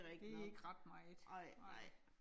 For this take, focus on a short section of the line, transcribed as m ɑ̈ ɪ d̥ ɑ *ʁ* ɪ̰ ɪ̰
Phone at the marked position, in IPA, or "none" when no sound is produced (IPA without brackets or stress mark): none